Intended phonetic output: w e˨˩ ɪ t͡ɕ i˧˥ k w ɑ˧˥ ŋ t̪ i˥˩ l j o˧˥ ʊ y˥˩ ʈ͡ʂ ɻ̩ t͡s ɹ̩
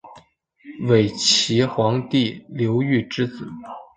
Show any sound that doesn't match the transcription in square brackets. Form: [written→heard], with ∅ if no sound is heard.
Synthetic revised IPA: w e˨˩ ɪ [t͡ɕ→t͡ɕʰ] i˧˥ [k→x] w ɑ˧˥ ŋ t̪ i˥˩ l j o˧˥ ʊ y˥˩ ʈ͡ʂ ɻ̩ t͡s ɹ̩